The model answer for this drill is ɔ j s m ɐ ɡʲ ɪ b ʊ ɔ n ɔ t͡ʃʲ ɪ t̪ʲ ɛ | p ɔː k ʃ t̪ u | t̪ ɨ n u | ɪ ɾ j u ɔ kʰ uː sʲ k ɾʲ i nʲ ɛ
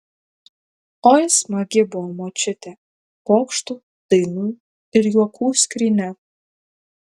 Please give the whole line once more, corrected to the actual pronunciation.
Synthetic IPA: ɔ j s m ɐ ɡʲ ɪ b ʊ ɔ m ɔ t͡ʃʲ ɪ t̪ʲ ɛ | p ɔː k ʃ t̪ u | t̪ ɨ n u | ɪ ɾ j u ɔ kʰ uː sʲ k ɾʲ i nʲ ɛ